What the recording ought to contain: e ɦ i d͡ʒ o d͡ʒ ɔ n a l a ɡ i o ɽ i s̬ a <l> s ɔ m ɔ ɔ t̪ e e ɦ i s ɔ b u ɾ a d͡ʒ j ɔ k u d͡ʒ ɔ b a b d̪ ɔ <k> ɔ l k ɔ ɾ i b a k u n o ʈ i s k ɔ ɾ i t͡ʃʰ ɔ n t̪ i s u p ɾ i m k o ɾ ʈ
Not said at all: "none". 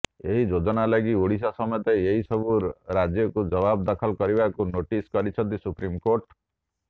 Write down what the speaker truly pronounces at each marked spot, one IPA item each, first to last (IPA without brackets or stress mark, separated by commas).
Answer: none, kʰ